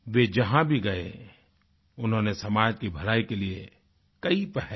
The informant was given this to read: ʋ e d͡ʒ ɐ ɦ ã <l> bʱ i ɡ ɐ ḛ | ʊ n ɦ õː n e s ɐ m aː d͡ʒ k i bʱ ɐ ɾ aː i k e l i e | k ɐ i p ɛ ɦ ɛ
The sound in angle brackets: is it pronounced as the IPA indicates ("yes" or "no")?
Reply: no